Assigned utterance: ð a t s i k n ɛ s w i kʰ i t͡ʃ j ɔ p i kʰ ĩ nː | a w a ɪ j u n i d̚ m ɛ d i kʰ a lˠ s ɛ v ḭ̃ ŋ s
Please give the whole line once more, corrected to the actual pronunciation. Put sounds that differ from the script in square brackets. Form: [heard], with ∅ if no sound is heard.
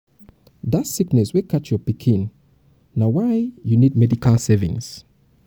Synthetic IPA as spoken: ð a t s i k n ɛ s w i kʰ [a] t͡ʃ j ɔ p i kʰ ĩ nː | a w a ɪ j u n i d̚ m ɛ d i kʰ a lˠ s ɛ v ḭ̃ ŋ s